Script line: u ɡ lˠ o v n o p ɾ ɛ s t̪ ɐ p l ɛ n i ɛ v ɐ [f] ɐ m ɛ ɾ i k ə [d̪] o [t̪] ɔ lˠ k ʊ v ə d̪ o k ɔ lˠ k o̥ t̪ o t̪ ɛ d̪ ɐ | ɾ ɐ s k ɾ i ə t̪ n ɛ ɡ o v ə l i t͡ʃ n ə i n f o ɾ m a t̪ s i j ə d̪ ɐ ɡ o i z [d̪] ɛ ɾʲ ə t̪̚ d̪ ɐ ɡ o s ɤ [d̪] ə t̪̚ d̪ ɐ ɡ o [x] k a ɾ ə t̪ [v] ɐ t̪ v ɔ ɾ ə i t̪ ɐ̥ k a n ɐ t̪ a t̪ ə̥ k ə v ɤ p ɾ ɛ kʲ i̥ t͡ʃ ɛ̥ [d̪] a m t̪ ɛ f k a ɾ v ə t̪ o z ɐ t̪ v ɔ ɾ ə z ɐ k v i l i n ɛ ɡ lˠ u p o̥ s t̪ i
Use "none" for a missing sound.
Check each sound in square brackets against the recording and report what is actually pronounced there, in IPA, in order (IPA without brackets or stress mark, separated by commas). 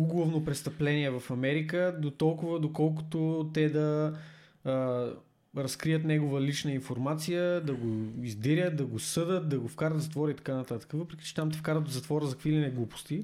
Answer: f, d̪, t̪, d̪, d̪, f, z, t̪